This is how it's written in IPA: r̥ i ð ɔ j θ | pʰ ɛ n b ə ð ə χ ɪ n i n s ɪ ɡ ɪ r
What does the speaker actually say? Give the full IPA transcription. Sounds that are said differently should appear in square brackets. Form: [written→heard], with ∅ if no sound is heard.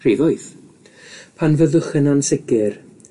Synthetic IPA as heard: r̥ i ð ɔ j θ | pʰ [ɛ→a] n [b→v] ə ð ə χ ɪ n [i→a] n s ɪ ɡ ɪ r